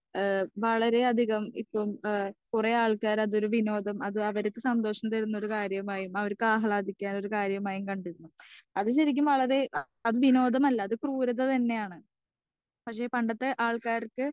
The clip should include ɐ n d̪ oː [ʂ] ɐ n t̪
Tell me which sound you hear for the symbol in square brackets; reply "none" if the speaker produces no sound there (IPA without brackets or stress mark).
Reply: ʂ